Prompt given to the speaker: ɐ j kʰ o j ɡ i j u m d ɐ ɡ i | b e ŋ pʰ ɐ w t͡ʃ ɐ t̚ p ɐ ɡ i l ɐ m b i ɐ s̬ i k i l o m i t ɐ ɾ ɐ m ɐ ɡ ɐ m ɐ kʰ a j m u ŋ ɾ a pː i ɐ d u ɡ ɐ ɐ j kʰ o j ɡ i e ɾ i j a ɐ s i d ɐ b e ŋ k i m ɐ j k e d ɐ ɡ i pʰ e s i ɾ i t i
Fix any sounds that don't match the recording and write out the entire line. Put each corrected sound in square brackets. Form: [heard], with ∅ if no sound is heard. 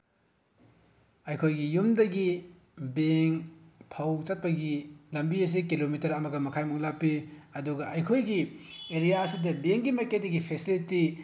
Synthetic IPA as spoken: ɐ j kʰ o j ɡ i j u m d ɐ ɡ i | b e ŋ pʰ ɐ w t͡ʃ ɐ t̚ p ɐ ɡ i l ɐ m b i ɐ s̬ i k i l o m i t ɐ ɾ ɐ m ɐ ɡ ɐ m ɐ kʰ a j m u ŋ [l] a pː i ɐ d u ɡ ɐ ɐ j kʰ o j ɡ i e ɾ i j a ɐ s i d ɐ b e ŋ [ɡ] i m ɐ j k e d ɐ ɡ i pʰ e s i [l] i t i